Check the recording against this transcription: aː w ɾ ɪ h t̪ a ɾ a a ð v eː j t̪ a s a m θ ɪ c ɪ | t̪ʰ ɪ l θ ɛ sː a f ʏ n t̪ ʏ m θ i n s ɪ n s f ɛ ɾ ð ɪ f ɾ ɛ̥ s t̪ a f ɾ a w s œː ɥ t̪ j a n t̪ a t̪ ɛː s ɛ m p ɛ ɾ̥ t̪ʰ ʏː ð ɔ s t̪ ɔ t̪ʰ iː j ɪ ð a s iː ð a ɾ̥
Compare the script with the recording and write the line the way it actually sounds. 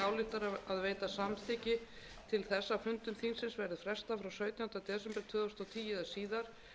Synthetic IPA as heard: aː w l ɪ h t̪ a ɾ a a ð v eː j t̪ a s a m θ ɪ c ɪ | t̪ʰ ɪ l θ ɛ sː a f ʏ n t̪ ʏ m θ i n s ɪ n s v ɛ ɾ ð ɪ f ɾ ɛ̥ s t̪ a f ɾ a w s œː ɥ t̪ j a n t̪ a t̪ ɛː s ɛ m p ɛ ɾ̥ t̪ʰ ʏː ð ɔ s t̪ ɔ t̪ʰ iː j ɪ ð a s iː ð a ɾ̥

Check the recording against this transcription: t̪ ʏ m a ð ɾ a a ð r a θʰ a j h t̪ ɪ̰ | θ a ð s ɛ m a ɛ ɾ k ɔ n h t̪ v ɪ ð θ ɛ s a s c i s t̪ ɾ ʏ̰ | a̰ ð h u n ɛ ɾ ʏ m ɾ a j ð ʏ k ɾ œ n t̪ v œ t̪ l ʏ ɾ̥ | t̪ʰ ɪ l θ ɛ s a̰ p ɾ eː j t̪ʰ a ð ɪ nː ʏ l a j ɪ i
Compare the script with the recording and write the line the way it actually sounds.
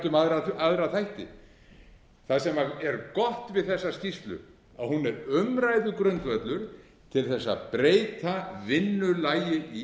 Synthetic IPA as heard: t̪ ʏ m a ð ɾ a a ð ɾ a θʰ a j h t̪ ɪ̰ | θ a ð s ɛ m a ɛ ɾ k ɔ h t̪ v ɪ ð θ ɛ sː a s c i s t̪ l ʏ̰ | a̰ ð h u n ɛ ɾ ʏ m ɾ a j ð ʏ k ɾ œ n t̪ v œ t̪ l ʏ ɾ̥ | t̪ʰ ɪ l θ ɛ sː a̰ p ɾ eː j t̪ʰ a v ɪ nː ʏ l a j ɪ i

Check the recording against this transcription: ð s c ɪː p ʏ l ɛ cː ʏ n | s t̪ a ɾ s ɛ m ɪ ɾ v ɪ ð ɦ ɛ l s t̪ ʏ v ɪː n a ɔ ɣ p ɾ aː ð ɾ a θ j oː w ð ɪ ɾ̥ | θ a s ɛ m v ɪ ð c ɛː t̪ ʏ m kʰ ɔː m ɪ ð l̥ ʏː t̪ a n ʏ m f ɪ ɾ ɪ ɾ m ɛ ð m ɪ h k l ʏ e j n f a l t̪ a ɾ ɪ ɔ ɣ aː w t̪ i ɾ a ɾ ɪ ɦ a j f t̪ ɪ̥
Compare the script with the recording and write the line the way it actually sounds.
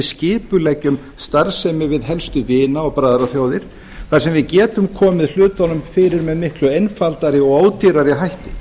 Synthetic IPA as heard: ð s c ɪː p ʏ l ɛ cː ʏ m | s t̪ a ɾ s ɛ m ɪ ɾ v ɪ ð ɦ ɛ l s t̪ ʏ v ɪː n a ɔ ɣ p ɾ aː ð ɾ a θ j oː w ð ɪ ɾ̥ | θ a s ɛ m v ɪ ð c ɛː t̪ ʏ m kʰ ɔː m ɪ ð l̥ ʏː t̪ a n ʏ m f ɪ ɾ ɪ ɾ m ɛ ð m ɪ h k l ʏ e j n f a l t̪ a ɾ ɪ ɔ ɣ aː w t̪ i ɾ a ɾ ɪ ɦ a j h t̪ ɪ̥

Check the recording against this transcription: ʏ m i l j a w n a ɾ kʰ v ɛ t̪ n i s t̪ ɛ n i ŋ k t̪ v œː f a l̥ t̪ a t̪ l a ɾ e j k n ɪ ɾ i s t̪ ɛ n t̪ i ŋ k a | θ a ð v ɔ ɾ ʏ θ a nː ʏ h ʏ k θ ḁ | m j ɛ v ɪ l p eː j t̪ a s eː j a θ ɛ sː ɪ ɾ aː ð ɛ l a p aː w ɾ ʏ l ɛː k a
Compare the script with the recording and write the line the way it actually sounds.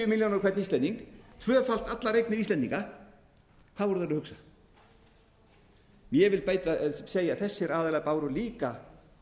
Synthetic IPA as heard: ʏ m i l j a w n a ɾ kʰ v ɛ t̪ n i s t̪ ɛ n i ŋ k t̪ʰ v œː f a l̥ t̪ a t̪ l a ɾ e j k n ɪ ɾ i s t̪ ɛ n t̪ i ŋ k a | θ a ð v ɔ ɾ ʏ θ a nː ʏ h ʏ k s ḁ | m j ɛ v ɪ l p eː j t̪ a s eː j a θ ɛ sː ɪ ɾ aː ð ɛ l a p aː w ɾ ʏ l iː k a

